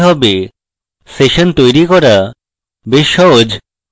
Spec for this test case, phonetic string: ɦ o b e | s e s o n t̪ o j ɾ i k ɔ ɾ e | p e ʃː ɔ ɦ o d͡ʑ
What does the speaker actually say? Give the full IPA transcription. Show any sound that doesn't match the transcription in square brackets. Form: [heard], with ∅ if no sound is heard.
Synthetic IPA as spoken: ɦ [ɔ] b e | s e [ʃ] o n t̪ o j ɾ i k ɔ ɾ [a] | [b] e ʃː ɔ ɦ o d͡ʑ